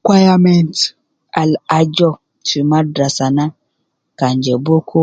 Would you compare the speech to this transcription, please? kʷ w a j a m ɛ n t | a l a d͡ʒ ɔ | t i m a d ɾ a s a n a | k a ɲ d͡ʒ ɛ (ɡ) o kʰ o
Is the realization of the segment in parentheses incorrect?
yes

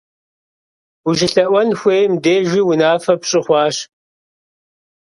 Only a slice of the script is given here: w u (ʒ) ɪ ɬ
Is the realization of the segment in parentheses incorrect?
no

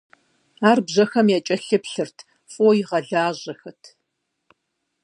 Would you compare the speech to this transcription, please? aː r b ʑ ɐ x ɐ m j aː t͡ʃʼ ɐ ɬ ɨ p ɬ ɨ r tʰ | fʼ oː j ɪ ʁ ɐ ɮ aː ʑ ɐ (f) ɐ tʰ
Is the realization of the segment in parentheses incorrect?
yes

